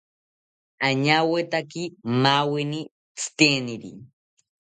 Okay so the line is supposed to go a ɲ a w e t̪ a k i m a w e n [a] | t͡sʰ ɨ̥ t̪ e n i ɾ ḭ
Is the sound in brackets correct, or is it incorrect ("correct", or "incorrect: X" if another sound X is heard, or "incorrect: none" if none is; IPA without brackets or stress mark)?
incorrect: i